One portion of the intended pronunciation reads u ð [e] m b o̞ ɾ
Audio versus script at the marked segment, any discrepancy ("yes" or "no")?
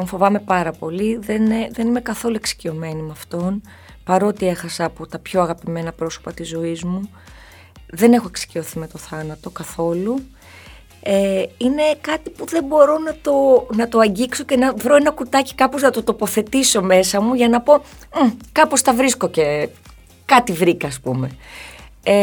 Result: no